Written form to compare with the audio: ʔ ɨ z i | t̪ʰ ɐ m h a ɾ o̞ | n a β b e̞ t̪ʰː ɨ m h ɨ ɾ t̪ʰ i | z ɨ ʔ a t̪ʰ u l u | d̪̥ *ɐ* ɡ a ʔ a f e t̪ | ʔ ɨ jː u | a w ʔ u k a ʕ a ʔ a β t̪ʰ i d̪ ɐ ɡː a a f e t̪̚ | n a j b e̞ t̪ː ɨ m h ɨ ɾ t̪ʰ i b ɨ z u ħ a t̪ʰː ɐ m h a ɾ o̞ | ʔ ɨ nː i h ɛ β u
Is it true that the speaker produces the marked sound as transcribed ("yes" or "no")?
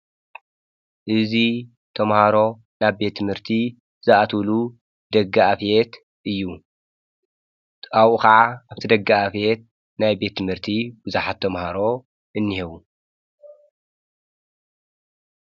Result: yes